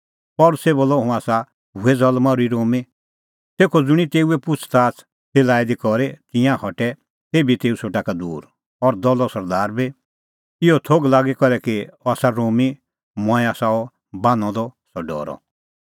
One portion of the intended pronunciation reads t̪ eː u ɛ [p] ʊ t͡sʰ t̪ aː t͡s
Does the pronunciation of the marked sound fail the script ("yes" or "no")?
no